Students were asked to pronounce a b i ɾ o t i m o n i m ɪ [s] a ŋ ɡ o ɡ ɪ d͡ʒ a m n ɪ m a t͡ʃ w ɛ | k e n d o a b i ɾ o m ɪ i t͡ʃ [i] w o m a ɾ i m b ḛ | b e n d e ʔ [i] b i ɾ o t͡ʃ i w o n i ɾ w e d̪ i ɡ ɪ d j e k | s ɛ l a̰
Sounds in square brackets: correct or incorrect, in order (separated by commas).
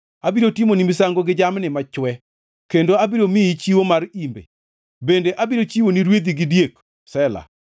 correct, correct, incorrect